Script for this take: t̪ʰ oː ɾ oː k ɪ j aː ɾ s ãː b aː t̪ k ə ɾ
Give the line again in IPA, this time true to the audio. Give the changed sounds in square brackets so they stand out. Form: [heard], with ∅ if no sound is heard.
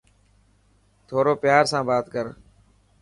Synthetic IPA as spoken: t̪ʰ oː ɾ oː [p] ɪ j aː ɾ s ãː b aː t̪ k ə ɾ